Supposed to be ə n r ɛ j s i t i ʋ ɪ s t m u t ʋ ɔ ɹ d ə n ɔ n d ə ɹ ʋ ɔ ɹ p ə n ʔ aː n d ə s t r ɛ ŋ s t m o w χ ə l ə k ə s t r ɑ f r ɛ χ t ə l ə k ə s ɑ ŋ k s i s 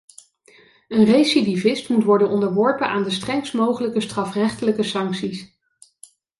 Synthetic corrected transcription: ə n r e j s i d i v ɪ s t m u t ʋ ɔ ɹ d ə n ɔ n d ə ɹ ʋ ɔ ɹ p ə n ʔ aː n d ə s t r ɛ ŋ s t m o w χ ə l ə k ə s t r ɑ f r ɛ χ t ə l ə k ə s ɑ ŋ k s i s